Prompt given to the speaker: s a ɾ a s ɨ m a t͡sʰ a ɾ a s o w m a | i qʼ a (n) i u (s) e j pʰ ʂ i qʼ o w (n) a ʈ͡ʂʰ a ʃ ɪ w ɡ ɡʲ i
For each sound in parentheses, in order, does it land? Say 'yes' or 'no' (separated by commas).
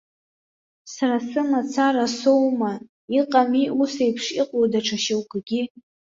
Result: no, yes, no